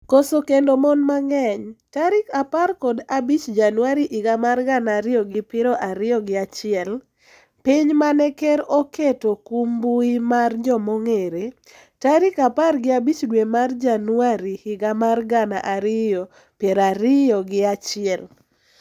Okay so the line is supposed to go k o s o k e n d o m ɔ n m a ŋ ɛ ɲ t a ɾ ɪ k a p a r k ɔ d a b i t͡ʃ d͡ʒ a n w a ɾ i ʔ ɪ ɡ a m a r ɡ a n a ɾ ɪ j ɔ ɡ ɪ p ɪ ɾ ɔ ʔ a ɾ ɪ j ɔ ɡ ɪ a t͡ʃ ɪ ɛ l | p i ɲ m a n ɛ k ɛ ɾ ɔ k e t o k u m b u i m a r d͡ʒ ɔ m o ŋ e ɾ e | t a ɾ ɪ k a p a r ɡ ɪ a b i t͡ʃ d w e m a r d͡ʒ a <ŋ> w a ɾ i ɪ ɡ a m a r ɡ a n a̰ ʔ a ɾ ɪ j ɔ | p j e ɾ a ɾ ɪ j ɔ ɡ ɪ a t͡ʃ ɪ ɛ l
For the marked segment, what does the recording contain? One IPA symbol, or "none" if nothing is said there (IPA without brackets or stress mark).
n